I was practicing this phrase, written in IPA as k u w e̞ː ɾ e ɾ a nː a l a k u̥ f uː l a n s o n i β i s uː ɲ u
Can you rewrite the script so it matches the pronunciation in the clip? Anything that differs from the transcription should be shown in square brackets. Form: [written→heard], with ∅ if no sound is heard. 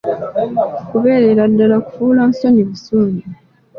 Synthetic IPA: k u [w→β] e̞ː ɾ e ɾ a [nː→dː] a l a k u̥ f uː l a n s o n i β i s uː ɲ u